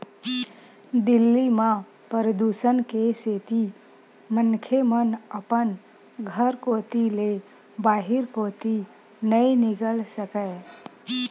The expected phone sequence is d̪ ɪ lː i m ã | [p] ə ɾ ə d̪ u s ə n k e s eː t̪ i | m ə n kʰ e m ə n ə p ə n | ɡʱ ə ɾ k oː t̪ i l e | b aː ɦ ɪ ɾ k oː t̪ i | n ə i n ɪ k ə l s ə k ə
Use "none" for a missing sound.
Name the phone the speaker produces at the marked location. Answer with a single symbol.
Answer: p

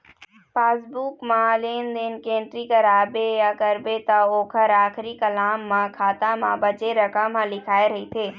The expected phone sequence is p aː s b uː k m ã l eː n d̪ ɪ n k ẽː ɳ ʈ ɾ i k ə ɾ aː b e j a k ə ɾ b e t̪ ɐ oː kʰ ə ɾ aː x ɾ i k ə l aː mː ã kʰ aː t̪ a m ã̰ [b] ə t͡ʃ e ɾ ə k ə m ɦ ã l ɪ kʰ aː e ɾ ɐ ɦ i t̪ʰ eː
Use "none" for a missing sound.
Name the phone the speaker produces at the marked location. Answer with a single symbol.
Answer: b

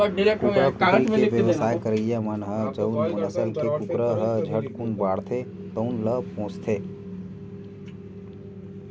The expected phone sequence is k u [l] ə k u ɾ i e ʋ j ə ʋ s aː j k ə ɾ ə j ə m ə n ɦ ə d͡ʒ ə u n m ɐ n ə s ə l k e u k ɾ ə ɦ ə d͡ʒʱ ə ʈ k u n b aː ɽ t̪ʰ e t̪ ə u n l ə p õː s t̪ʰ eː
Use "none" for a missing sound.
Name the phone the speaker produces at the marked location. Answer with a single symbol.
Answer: ɾ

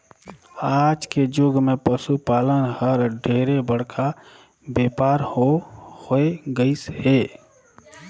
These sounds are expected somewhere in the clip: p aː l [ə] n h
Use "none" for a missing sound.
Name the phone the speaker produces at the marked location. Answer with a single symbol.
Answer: ə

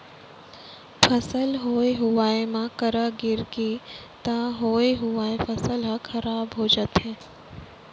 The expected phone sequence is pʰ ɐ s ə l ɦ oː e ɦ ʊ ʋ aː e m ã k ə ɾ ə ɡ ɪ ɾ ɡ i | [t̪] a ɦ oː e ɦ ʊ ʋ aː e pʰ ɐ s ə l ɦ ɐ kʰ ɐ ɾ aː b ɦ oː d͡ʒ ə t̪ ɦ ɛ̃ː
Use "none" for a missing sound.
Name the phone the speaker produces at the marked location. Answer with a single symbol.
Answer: t̪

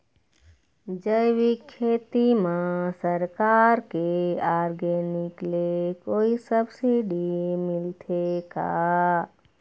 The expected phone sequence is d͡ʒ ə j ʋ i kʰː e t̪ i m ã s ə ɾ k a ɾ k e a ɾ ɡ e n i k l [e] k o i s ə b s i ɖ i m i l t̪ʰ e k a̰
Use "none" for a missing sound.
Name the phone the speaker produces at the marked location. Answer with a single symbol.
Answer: e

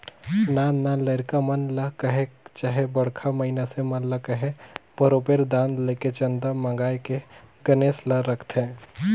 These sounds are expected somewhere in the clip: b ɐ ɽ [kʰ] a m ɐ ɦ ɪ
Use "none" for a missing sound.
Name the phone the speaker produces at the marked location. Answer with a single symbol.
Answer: kʰ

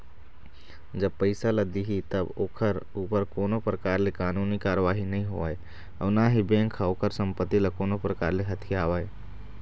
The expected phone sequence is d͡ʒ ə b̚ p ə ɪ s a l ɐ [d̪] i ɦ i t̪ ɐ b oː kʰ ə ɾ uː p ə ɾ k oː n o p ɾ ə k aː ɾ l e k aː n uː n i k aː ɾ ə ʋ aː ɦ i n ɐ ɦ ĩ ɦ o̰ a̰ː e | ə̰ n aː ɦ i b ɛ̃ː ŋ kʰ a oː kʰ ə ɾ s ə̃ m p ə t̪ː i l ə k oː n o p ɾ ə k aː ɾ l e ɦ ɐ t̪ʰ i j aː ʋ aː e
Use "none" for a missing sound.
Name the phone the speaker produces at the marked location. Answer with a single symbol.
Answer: d̪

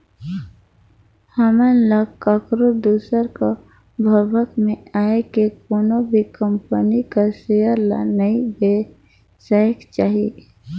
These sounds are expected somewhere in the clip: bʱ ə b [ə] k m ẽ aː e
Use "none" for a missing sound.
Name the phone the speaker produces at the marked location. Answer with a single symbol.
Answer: ə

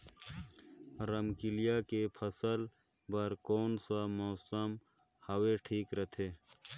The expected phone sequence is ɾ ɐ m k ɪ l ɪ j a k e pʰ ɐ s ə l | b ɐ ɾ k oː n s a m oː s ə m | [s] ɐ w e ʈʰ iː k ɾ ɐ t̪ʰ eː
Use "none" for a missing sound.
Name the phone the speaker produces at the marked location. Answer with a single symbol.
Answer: h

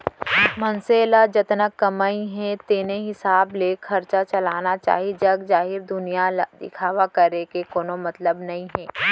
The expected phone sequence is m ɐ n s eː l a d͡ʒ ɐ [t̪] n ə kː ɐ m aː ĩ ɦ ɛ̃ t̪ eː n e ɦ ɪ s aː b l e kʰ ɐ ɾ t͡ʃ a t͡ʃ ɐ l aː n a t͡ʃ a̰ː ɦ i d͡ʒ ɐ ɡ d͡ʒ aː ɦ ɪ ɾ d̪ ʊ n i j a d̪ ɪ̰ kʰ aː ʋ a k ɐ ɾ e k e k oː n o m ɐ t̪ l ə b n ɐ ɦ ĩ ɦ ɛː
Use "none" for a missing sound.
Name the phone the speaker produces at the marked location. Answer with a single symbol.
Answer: t̪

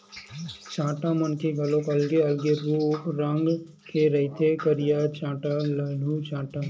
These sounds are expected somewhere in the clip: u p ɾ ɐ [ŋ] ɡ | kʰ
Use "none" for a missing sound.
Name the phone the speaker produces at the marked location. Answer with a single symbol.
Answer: ŋ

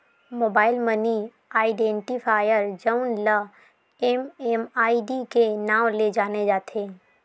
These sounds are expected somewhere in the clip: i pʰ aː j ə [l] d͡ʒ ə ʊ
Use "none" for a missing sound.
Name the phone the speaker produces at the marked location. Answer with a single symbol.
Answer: ɾ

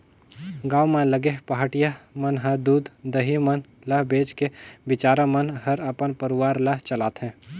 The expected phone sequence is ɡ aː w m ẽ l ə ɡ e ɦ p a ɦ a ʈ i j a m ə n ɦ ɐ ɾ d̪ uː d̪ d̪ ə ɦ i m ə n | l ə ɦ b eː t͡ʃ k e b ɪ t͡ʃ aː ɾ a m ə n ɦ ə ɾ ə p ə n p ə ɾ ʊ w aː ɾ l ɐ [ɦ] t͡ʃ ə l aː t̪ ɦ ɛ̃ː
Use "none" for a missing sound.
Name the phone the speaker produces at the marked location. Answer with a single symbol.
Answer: ɦ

